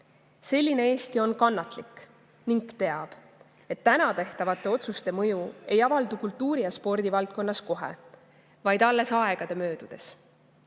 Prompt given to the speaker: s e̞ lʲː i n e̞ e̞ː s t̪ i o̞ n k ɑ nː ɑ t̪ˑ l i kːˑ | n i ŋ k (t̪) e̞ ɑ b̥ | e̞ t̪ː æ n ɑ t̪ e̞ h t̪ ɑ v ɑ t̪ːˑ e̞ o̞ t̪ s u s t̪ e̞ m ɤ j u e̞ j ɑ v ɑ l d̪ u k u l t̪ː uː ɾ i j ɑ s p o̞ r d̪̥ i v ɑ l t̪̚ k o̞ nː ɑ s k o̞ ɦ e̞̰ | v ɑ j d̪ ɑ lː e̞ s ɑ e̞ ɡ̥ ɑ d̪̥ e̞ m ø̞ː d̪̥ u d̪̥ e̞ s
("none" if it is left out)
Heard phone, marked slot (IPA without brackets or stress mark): t̪